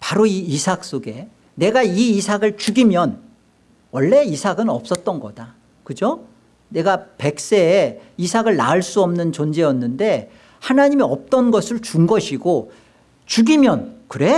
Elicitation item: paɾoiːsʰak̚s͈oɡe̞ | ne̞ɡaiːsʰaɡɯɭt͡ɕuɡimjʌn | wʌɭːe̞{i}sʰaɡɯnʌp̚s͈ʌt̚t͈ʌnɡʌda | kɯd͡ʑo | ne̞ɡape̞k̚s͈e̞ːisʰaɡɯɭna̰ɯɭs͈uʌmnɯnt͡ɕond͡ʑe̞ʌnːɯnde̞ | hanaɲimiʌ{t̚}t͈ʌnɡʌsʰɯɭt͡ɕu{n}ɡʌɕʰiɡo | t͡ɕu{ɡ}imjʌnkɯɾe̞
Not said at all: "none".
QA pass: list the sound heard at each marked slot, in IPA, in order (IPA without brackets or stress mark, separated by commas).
i, p̚, ŋ, ɡ